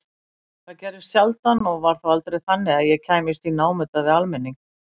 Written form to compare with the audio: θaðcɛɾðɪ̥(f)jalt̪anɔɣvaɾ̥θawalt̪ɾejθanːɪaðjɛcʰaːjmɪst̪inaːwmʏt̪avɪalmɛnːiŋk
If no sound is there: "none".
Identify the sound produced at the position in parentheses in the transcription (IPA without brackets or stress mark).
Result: s